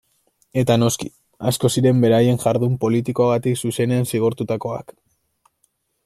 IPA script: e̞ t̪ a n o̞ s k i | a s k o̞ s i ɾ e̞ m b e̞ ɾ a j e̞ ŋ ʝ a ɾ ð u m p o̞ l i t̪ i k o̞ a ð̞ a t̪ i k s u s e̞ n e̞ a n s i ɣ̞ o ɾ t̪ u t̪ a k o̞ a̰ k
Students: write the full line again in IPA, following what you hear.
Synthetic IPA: e̞ t̪ a n o̞ s k i | a s k o̞ s i ɾ e̞ m b e̞ ɾ a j e̞ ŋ ʝ a ɾ ð u m p o̞ l i t̪ i k o̞ a ɣ̞ a t̪ i k s u s e̞ n e̞ a n s i ɣ̞ o ɾ t̪ u t̪ a k o̞ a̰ k